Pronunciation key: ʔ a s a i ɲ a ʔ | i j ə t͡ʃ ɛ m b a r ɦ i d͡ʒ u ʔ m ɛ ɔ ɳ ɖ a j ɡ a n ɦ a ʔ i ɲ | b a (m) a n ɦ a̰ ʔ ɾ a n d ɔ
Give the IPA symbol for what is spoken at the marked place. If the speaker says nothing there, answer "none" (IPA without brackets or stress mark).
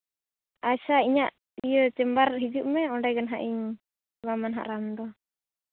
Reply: m